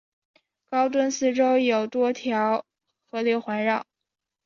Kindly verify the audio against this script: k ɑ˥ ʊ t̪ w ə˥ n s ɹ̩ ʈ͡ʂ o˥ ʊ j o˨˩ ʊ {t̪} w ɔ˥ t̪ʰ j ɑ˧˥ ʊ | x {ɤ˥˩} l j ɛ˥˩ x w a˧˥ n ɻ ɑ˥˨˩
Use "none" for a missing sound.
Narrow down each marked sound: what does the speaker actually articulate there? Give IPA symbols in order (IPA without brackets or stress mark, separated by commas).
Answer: t̪, ɤ˧˥